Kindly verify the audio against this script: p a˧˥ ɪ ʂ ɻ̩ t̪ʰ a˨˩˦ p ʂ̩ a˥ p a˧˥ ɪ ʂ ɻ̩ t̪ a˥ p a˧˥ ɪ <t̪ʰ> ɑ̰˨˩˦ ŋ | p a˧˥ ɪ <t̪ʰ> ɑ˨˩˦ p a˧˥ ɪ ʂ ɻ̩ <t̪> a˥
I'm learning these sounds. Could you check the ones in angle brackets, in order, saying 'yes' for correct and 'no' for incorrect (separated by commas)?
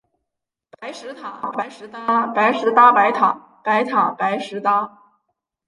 yes, yes, yes